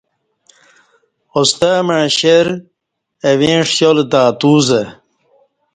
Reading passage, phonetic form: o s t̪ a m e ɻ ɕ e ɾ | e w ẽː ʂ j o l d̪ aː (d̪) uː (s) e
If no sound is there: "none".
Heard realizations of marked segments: t̪, z

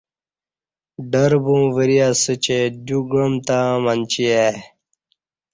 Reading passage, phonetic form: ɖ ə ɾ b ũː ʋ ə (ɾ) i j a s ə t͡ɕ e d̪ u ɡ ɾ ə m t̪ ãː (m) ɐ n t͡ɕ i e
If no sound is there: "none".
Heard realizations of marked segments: ɾ, m

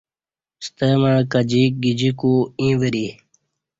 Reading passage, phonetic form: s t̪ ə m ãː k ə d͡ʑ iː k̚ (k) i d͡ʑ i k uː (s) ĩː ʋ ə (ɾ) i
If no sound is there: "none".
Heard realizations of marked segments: ɡ, none, ɾ

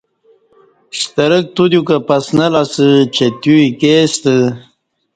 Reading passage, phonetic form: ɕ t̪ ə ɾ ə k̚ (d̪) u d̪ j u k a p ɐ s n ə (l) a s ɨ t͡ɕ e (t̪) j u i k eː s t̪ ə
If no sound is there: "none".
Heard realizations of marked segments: t̪, l, t̪

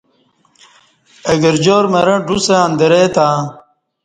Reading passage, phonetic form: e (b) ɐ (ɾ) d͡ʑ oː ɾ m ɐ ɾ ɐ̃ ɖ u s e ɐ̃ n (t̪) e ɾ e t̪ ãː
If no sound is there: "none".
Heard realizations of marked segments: ɡ, ɾ, d̪

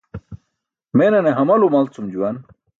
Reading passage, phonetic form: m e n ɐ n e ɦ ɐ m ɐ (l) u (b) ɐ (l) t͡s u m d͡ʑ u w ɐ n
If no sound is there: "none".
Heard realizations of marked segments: l, m, l

